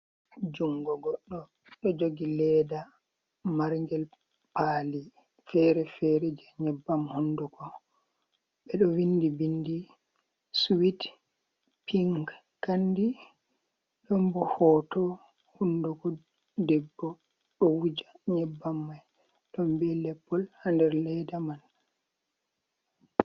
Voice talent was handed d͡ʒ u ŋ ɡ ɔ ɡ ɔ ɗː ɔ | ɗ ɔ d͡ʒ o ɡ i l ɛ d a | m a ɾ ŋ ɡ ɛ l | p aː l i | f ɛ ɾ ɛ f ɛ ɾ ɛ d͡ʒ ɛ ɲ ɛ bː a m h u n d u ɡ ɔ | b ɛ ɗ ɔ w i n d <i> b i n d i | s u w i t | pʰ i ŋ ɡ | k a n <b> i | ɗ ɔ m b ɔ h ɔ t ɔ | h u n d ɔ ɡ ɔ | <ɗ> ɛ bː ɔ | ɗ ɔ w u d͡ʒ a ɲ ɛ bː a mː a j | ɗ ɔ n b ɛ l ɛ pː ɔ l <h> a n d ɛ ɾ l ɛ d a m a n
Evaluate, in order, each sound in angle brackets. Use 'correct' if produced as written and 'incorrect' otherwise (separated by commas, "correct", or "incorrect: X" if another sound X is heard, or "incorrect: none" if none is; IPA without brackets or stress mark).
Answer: correct, incorrect: d, incorrect: d, correct